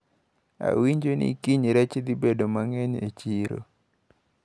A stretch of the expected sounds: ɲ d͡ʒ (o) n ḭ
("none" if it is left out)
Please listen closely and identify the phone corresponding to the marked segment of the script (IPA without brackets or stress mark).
o